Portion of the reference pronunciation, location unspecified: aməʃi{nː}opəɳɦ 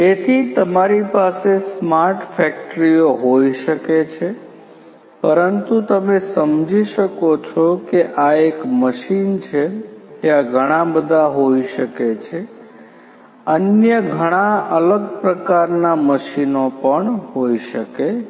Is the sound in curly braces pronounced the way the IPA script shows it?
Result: no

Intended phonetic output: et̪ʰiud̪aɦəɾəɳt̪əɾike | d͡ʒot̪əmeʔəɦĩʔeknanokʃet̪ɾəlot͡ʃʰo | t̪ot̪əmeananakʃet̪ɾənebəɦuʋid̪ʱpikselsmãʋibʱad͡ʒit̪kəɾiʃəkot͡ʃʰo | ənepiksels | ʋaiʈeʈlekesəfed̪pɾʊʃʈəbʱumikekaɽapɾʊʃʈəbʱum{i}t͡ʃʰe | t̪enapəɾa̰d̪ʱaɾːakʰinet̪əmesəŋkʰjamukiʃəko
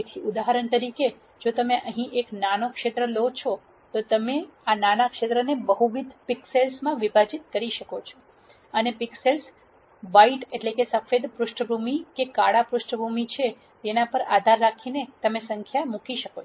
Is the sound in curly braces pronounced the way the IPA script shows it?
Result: yes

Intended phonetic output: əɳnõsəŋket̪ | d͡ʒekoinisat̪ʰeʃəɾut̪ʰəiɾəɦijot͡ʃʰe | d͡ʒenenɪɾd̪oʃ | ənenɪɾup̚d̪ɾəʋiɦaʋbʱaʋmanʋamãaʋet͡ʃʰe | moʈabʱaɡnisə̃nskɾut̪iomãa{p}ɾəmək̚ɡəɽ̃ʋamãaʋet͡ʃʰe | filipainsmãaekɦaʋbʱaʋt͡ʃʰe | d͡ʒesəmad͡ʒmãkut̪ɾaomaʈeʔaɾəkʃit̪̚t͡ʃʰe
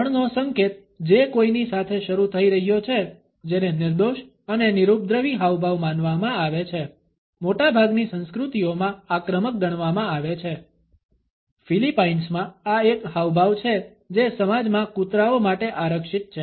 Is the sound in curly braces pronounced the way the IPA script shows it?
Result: no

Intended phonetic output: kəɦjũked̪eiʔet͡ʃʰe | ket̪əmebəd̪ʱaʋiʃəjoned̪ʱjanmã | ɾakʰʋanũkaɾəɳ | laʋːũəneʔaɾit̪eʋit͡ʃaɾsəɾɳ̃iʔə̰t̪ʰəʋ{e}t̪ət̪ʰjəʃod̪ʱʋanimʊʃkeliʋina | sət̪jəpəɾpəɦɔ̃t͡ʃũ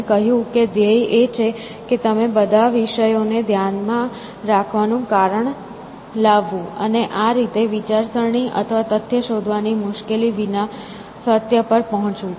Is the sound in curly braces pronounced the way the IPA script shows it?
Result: no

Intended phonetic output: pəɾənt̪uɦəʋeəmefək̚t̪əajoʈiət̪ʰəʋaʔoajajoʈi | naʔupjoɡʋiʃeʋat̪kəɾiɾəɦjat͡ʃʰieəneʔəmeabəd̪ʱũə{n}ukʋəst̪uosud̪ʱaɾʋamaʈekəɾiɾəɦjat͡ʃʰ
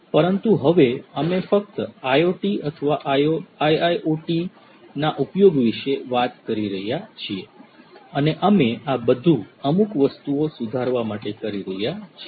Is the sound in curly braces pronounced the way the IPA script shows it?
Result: no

